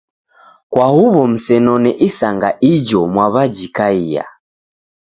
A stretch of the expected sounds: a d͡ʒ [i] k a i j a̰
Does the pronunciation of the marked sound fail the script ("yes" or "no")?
no